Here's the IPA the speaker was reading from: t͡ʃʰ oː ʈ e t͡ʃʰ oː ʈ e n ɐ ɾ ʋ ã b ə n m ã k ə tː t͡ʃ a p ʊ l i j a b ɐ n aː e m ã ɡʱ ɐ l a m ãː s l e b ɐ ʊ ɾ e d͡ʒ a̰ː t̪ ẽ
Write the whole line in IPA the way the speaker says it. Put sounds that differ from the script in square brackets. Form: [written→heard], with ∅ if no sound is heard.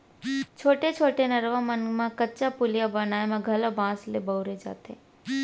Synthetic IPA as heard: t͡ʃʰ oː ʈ e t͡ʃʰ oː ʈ e n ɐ ɾ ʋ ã [b→m] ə n m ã k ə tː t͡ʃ a p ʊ l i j a b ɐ n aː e m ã ɡʱ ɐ l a [m→b] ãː s l e b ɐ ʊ ɾ e d͡ʒ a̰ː t̪ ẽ